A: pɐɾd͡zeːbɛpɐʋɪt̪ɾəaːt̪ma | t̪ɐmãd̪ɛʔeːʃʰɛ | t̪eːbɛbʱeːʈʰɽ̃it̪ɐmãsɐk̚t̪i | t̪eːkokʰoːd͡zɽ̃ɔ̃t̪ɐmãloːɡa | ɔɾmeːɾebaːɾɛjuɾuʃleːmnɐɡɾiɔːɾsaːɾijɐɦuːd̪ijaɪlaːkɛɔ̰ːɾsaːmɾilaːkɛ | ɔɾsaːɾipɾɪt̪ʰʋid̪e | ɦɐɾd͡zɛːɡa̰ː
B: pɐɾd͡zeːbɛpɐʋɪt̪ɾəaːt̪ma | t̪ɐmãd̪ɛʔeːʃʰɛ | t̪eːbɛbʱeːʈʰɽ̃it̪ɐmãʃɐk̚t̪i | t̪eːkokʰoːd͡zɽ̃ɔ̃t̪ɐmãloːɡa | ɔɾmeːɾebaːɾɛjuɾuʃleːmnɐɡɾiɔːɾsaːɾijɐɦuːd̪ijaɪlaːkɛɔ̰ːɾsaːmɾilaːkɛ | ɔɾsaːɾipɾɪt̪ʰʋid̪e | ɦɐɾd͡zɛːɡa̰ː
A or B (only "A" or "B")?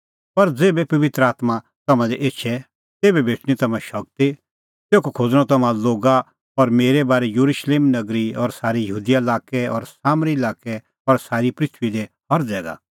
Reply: B